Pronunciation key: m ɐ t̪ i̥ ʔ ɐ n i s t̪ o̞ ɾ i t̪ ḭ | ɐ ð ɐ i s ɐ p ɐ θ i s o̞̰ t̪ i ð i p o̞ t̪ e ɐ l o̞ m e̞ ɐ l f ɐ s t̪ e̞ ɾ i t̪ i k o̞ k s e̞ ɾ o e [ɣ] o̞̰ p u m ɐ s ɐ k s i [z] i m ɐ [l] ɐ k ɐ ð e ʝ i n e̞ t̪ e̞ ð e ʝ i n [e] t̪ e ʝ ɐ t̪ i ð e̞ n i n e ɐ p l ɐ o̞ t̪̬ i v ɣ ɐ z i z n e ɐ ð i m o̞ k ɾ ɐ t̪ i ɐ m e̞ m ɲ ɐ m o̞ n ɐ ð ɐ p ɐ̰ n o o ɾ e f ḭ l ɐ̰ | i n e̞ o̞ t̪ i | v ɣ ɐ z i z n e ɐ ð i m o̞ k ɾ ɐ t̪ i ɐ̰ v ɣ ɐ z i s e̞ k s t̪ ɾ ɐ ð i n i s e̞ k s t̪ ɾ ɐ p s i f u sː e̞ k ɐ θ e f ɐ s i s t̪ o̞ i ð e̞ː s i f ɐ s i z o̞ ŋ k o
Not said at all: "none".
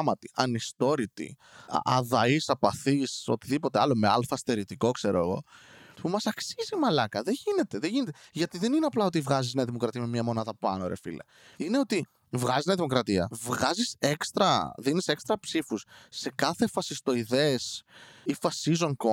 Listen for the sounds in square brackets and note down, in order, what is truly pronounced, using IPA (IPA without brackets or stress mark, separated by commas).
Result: ɣ, z, l, e